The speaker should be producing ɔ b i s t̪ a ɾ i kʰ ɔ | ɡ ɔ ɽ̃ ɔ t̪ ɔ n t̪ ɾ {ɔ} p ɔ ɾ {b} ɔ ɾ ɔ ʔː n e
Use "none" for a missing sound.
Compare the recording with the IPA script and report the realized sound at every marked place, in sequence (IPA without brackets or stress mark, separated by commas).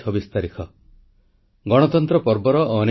ɔ, b